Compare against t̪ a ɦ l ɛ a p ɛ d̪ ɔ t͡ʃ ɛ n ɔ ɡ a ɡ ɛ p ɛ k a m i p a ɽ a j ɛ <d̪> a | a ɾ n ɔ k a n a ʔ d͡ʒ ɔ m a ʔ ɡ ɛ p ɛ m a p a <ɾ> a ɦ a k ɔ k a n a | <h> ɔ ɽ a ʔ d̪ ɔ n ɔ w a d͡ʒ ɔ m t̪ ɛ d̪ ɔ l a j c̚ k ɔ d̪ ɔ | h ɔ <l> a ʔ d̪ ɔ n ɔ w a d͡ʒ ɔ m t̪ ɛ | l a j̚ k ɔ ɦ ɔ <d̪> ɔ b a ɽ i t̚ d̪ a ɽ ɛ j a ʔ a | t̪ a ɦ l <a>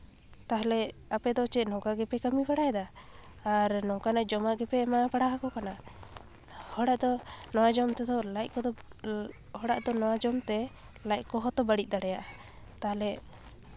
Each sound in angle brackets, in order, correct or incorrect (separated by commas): correct, incorrect, correct, incorrect, incorrect, incorrect